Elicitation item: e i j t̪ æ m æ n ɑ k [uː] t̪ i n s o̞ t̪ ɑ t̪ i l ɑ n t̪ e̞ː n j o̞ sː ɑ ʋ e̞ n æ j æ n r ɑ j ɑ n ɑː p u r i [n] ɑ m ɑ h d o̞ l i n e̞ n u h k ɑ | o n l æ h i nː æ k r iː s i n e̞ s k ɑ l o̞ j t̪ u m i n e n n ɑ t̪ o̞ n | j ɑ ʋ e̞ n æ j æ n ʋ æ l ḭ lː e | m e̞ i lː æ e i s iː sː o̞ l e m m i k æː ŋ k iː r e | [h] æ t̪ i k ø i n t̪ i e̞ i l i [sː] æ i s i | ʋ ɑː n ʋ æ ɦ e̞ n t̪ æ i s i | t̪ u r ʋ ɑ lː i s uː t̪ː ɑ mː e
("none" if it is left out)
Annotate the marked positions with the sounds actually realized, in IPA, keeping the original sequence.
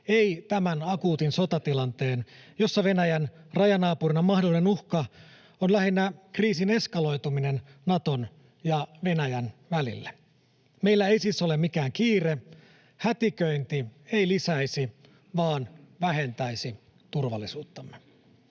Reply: uː, n, h, s

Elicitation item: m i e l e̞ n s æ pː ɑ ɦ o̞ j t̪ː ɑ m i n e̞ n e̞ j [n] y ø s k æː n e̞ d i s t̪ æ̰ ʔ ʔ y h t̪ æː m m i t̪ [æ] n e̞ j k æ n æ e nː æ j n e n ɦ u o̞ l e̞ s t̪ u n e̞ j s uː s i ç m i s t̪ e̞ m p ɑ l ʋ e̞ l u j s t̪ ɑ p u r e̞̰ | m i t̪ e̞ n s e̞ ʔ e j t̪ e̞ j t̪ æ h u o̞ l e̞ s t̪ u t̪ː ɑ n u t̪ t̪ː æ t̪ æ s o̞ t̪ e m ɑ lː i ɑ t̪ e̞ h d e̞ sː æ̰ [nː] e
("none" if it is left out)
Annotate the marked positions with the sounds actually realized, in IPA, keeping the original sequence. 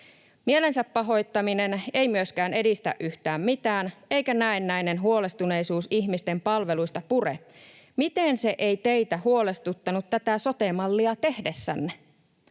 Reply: m, æː, nː

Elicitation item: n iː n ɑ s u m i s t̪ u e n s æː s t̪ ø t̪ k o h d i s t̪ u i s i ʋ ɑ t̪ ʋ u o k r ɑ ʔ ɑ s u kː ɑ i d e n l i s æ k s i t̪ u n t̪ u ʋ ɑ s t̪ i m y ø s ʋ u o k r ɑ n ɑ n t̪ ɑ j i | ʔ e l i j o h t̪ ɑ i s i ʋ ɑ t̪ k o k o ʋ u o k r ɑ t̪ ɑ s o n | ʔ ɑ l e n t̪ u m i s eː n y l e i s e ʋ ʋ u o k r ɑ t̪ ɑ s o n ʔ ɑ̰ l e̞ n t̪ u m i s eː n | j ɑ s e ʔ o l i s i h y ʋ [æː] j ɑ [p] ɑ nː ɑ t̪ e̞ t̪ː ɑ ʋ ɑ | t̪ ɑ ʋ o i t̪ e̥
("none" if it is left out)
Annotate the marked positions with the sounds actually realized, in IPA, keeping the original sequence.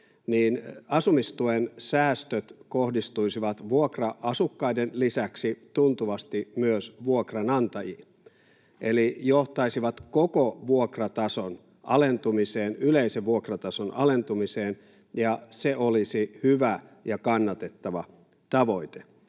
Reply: æ, k

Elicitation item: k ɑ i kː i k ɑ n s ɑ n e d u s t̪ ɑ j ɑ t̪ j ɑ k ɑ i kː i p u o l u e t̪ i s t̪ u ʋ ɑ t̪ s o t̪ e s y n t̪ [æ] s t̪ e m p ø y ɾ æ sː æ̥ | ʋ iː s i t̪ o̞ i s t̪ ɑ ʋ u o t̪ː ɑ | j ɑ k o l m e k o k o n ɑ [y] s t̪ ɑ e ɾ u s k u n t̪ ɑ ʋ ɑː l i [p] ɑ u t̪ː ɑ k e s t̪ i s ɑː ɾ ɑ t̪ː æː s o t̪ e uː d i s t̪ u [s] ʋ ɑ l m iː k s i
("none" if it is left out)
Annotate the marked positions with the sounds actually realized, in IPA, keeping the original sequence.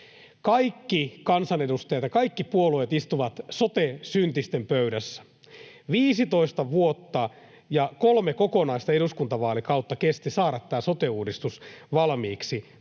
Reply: i, i, k, s

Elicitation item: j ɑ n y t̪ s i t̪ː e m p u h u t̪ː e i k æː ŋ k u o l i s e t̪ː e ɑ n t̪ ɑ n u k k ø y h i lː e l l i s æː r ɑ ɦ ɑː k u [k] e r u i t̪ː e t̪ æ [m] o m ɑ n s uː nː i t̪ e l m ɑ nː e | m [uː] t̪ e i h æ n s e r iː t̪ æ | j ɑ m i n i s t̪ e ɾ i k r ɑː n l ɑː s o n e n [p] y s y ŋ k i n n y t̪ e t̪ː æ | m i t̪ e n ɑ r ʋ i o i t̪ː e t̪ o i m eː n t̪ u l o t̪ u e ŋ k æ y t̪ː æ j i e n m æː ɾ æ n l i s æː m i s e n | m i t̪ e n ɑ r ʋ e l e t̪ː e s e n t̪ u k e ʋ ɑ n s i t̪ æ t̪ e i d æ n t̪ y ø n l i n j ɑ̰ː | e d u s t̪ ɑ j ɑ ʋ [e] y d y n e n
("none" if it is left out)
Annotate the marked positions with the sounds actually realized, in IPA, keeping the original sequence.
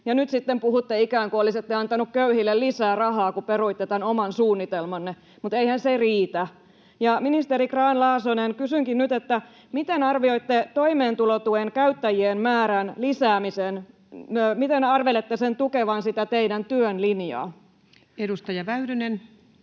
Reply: p, n, u, k, æ

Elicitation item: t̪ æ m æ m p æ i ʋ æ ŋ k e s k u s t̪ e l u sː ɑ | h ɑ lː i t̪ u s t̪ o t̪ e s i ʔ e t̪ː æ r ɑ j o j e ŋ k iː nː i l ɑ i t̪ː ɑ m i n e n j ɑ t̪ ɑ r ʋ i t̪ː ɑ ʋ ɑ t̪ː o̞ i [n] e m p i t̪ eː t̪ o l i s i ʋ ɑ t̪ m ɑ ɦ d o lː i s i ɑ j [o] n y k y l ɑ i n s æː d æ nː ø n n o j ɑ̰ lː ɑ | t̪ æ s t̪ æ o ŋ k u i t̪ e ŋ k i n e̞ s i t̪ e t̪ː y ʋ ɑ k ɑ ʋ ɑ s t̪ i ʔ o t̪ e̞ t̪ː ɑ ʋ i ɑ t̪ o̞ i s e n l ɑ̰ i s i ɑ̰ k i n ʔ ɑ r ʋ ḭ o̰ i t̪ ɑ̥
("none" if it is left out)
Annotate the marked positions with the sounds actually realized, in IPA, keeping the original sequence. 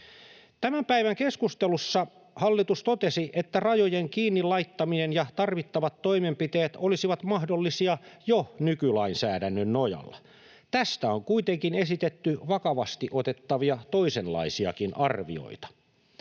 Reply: m, o

